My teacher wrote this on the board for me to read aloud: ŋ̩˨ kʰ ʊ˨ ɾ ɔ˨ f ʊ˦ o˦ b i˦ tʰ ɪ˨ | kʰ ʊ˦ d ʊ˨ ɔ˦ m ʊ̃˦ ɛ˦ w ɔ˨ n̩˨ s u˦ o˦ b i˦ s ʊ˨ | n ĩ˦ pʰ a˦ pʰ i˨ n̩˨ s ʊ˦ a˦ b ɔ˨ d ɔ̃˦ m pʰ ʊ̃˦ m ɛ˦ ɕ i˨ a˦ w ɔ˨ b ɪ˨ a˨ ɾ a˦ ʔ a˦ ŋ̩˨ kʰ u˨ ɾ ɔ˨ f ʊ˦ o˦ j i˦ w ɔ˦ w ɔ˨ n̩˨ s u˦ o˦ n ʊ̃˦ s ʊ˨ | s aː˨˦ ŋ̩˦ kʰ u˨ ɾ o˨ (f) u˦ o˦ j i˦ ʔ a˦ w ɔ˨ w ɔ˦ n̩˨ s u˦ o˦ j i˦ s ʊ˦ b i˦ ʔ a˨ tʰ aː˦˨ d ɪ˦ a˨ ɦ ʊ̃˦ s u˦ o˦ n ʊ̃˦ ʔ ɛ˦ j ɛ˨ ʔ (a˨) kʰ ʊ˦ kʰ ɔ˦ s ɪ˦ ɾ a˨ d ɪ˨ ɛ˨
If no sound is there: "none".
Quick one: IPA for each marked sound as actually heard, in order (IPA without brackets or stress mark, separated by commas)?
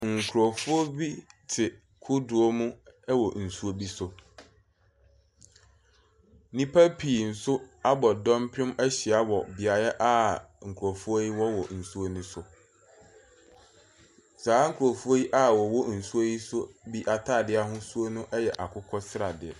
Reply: f, a˨